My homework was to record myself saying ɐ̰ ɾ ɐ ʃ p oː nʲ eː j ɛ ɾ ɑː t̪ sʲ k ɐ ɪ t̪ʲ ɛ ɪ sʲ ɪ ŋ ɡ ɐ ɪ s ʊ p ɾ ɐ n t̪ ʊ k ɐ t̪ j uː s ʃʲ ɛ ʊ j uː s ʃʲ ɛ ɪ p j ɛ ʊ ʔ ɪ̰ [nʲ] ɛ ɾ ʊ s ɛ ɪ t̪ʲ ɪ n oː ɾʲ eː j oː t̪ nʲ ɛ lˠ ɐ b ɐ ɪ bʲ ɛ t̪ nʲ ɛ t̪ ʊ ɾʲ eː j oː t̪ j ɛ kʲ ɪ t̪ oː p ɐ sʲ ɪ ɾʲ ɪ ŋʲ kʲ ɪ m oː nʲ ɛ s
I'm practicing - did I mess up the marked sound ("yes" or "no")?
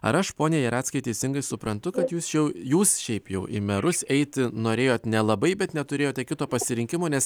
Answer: yes